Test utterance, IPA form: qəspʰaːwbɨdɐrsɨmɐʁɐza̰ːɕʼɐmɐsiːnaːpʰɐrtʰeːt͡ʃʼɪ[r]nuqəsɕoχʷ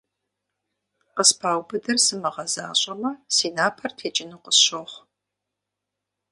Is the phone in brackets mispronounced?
yes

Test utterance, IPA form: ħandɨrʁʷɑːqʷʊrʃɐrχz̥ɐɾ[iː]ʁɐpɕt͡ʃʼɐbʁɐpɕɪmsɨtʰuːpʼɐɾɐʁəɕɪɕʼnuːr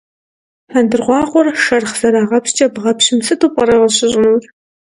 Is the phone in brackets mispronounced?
yes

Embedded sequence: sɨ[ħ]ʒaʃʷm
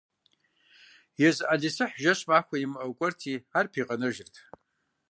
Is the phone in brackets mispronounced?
no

